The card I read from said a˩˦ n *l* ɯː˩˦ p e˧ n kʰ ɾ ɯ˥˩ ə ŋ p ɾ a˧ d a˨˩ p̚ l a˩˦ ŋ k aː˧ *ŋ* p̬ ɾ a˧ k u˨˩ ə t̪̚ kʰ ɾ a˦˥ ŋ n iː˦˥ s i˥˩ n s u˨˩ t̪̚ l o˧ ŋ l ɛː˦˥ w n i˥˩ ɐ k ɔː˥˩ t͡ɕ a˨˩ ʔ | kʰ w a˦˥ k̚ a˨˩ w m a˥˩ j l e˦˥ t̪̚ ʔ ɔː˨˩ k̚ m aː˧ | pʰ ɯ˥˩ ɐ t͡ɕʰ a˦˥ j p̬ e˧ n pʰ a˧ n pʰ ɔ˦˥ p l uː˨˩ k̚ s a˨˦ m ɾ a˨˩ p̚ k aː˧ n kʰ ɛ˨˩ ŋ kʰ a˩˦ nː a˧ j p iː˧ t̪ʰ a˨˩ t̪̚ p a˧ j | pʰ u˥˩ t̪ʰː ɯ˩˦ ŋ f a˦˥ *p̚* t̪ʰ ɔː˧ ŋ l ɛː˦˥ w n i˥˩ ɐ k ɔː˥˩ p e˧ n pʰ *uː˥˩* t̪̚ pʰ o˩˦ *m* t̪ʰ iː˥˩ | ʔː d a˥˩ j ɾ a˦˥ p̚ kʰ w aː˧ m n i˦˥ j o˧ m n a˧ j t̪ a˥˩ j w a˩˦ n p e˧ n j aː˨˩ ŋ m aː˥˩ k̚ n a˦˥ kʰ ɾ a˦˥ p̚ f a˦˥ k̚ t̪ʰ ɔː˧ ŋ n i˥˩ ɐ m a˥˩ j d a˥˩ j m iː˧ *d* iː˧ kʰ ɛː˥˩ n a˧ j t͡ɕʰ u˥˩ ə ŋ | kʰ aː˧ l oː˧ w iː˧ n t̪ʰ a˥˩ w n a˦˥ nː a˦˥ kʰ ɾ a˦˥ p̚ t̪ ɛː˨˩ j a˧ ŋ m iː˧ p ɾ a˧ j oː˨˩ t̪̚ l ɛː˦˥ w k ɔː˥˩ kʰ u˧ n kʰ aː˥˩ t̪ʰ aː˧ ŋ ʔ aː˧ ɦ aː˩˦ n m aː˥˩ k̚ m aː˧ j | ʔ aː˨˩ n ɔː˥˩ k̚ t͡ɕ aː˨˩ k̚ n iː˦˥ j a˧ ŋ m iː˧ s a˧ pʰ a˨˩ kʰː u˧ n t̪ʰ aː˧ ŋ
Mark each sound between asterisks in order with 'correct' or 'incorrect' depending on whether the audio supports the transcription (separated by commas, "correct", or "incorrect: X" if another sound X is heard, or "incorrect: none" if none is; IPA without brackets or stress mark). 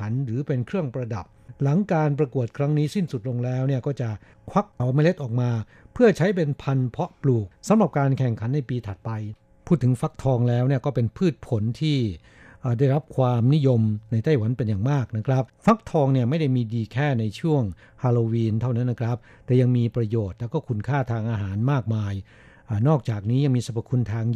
incorrect: ɾ, incorrect: n, incorrect: k̚, incorrect: ɯː˥˩, incorrect: n, correct